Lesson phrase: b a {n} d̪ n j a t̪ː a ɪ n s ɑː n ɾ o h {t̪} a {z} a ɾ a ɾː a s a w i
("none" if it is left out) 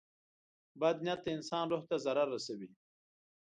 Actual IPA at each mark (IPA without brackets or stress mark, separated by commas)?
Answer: none, t̪, z